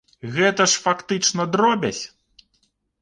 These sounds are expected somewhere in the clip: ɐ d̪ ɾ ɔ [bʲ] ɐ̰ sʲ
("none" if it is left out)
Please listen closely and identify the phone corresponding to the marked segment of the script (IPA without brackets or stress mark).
bʲ